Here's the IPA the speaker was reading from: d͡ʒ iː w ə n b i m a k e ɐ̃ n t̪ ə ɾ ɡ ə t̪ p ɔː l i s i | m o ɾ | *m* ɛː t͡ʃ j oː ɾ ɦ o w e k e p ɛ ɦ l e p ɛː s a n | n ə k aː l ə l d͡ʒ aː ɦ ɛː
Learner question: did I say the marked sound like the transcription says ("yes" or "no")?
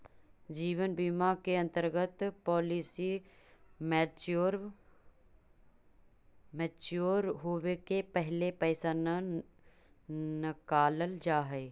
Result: yes